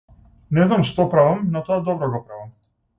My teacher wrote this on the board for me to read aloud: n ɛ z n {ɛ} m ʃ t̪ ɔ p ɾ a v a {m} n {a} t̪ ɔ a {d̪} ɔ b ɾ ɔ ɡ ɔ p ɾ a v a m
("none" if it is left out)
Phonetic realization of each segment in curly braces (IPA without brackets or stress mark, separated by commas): a, m, a, d̪